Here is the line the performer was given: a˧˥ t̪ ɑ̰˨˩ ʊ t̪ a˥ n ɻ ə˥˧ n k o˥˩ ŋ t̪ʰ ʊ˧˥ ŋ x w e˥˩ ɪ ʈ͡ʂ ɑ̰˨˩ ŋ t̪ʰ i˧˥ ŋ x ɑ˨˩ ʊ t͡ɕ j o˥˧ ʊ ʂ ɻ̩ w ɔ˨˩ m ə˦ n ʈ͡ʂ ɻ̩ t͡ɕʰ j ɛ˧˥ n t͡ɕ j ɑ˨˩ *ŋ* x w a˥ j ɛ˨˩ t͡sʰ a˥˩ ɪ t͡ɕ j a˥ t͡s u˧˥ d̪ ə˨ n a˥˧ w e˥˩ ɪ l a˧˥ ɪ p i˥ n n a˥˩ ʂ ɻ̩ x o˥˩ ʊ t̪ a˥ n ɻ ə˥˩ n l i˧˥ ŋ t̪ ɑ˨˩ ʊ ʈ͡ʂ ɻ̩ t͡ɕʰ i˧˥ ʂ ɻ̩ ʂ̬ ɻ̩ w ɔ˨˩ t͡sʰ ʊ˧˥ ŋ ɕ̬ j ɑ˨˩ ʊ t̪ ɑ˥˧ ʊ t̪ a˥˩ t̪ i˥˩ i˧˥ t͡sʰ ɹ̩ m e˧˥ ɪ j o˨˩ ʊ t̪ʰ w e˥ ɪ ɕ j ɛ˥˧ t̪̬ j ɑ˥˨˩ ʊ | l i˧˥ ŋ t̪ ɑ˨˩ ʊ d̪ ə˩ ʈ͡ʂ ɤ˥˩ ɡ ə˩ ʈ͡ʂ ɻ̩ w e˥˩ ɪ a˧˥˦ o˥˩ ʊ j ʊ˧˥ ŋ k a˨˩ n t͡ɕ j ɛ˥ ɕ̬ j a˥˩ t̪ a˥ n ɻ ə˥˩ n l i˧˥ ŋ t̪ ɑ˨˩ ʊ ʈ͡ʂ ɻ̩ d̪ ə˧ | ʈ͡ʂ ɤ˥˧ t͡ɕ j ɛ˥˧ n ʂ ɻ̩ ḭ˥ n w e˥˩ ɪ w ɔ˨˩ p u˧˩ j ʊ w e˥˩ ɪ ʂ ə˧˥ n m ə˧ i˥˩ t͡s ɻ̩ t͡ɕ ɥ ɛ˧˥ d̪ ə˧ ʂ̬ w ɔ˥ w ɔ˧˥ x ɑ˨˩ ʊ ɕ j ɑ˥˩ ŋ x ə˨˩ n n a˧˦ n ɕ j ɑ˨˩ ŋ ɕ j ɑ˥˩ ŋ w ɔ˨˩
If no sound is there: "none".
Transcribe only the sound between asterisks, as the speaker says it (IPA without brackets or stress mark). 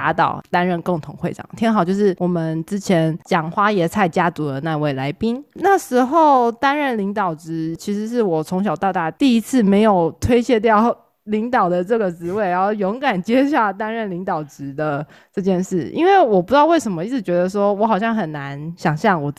ŋ